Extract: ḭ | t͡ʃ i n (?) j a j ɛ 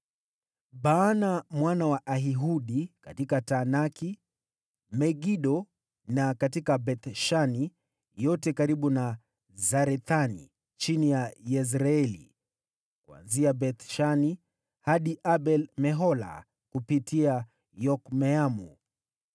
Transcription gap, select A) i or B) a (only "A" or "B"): A